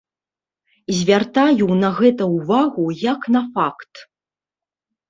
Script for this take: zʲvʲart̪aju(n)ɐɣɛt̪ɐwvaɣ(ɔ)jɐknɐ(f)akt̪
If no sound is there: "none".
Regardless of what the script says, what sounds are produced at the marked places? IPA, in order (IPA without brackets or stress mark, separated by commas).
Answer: n, u, f